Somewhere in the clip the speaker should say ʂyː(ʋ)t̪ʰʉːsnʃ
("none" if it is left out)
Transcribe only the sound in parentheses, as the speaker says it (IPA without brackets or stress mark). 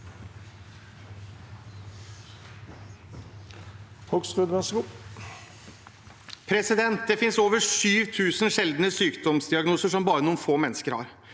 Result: ʋ